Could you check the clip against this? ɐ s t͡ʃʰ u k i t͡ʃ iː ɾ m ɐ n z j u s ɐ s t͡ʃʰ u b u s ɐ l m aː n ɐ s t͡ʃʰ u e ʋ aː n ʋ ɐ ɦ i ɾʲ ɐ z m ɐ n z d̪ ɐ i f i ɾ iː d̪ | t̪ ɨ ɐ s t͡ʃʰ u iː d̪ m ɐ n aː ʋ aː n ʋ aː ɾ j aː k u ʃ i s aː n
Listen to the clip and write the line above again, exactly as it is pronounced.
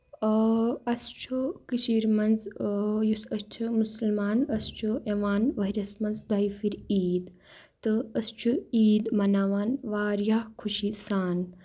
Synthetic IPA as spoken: ɐ s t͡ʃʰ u k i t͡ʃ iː ɾ m ɐ n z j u s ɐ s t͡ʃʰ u m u s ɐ l m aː n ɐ s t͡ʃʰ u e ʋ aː n ʋ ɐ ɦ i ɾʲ ɐ s m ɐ n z d̪ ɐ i f i ɾ iː d̪ | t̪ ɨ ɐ s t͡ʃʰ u iː d̪ m ɐ n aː ʋ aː n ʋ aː ɾ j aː kʰ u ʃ i s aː n